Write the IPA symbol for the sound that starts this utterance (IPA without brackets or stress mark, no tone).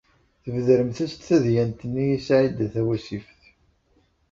θ